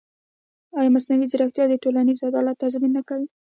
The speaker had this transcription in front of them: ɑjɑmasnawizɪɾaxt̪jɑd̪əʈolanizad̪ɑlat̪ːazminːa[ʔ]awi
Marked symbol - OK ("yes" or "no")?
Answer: no